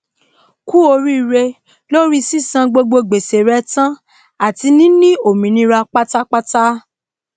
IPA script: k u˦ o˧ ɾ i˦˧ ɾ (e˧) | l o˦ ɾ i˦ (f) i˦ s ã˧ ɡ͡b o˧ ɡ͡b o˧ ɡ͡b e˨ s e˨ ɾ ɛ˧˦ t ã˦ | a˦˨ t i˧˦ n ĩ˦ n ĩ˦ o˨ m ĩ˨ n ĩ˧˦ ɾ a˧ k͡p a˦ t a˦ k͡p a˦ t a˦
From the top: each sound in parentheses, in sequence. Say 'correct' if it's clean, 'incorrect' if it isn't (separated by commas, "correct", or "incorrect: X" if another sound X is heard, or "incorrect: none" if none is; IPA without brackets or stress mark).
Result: correct, incorrect: s